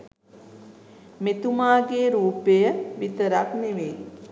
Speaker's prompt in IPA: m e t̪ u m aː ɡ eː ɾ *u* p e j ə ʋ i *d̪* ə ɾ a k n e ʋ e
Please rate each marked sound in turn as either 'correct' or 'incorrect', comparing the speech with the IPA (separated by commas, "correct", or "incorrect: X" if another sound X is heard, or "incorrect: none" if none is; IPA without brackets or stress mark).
incorrect: uː, incorrect: t̪